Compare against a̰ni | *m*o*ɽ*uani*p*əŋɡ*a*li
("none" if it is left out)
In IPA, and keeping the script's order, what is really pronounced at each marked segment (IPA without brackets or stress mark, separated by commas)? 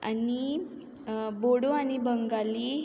b, ɽ, b, a